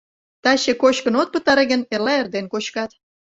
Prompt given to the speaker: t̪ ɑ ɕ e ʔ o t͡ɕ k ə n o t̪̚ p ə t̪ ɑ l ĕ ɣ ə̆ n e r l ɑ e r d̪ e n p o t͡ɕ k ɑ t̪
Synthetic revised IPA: t̪ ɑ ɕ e k o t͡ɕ k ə n o t̪̚ p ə t̪ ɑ ɾ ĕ ɣ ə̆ n e r l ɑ e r d̪ e n k o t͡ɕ k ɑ t̪